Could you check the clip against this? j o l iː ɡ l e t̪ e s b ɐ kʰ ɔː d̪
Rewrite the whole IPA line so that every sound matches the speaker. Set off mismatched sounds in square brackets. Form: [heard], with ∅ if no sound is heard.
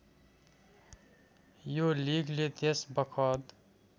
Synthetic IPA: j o l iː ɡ l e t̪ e s b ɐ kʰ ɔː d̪